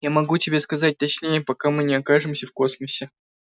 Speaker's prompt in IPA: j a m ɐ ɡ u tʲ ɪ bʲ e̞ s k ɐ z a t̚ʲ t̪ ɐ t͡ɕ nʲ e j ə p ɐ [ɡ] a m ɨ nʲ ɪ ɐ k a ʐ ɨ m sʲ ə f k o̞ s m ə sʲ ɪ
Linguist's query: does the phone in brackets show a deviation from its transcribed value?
yes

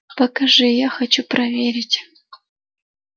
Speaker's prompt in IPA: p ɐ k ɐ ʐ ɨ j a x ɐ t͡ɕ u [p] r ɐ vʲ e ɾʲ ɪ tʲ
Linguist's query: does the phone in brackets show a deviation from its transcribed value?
no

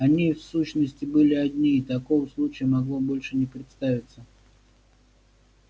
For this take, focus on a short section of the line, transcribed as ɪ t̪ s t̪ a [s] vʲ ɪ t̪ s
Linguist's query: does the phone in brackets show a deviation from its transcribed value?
yes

